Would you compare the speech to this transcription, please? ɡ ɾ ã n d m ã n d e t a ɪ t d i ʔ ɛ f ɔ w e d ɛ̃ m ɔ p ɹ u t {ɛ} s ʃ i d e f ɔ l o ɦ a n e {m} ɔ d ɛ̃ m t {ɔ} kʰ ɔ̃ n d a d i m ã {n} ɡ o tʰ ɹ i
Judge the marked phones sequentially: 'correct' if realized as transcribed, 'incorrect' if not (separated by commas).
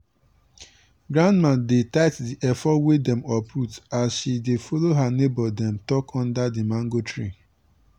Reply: incorrect, incorrect, correct, incorrect